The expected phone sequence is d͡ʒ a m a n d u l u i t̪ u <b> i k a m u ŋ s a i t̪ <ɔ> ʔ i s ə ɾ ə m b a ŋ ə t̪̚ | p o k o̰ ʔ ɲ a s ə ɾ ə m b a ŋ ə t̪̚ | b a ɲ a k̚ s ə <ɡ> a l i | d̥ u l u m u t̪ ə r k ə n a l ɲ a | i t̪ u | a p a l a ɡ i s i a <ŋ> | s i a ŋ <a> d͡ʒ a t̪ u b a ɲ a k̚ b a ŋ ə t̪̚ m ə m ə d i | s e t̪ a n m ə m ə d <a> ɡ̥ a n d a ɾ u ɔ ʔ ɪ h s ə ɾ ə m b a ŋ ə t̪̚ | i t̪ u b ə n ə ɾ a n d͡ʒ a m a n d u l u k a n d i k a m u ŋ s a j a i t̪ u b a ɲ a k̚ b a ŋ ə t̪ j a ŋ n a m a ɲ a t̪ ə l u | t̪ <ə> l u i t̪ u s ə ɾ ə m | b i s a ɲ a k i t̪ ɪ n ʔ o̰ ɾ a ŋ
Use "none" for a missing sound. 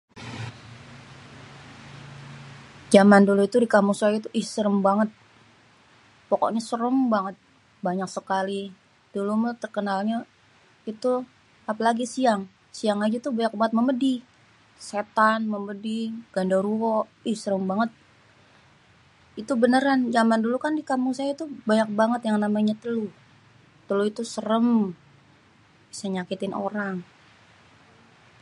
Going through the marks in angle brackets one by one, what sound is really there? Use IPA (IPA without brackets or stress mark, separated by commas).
d, u, k, ŋ, a, i, ə